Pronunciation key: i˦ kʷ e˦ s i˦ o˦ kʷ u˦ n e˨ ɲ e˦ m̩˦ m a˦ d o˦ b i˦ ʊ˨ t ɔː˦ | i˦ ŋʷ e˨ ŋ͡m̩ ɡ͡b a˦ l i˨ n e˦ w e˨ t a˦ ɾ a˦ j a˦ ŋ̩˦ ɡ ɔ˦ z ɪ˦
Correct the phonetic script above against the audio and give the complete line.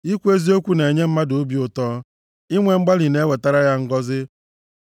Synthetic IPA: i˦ kʷ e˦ z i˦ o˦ kʷ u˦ n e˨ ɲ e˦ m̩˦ m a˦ d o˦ b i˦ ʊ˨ t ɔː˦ | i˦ ŋʷ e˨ ŋ͡m̩ ɡ͡b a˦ l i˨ n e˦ w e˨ t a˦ ɾ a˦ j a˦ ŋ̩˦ ɡ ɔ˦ z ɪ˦

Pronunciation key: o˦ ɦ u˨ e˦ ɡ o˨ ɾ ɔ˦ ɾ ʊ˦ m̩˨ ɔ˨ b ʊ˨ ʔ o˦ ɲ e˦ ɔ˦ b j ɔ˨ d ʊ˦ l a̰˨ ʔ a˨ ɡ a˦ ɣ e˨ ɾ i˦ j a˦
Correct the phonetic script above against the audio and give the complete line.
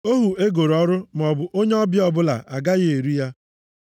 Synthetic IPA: o˦ ɦ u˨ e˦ ɡ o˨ ɾ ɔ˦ ɾ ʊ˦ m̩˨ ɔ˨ b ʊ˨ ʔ o˦ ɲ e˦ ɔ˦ b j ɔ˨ b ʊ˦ l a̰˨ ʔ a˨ ɡ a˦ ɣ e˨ ɾ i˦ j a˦

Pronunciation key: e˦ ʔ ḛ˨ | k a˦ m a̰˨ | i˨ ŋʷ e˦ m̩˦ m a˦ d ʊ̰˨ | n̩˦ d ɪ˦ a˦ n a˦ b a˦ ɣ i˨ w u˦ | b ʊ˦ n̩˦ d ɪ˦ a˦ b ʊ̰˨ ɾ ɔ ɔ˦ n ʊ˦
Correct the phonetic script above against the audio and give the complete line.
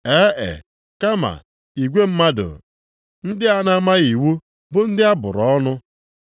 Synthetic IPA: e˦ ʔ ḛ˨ | k a˦ m a̰˨ | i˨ ɡʷ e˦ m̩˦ m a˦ d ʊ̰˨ | n̩˦ d ɪ˦ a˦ n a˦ m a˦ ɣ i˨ w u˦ | b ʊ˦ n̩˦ d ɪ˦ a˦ b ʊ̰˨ ɾ ɔ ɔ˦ n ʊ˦

